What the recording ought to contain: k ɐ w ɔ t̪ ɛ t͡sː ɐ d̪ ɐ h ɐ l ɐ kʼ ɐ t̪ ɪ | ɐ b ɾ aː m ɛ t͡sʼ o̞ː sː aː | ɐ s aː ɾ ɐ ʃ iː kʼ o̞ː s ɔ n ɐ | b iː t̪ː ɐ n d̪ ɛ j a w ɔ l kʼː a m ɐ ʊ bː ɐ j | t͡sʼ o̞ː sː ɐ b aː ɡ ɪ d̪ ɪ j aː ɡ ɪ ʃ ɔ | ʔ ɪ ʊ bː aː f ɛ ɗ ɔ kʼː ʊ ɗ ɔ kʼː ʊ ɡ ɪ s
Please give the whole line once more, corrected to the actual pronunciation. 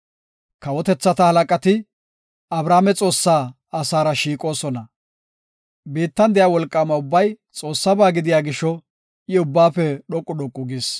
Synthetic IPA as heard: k ɐ w ɔ t̪ ɛ t͡sː ɐ t̪ ɐ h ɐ l ɐ kʼ ɐ t̪ ɪ | ɐ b ɾ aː m ɛ t͡sʼ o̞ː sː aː | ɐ s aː ɾ ɐ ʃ iː kʼ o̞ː s ɔ n ɐ | b iː t̪ː ɐ n d̪ ɛ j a w ɔ l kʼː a m ɐ ʊ bː ɐ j | t͡sʼ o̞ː sː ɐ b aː ɡ ɪ d̪ ɪ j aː ɡ ɪ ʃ ɔ | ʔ ɪ ʊ bː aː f ɛ ɗ ɔ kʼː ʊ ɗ ɔ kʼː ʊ ɡ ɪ s